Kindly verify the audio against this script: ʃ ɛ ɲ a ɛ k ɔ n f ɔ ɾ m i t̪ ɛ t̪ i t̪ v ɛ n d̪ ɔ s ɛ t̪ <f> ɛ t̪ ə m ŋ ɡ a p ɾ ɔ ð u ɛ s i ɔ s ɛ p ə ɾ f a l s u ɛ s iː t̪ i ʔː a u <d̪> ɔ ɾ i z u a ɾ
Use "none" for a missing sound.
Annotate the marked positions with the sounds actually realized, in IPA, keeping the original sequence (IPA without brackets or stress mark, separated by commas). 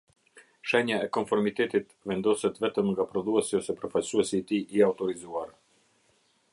v, t̪